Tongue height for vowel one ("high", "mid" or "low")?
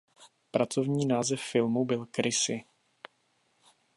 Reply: low